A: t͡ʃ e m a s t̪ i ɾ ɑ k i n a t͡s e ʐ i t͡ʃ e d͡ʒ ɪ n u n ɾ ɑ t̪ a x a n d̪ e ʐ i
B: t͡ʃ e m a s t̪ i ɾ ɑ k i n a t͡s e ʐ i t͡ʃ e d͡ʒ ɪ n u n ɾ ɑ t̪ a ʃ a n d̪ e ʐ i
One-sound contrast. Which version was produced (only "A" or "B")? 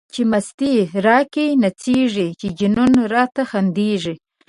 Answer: A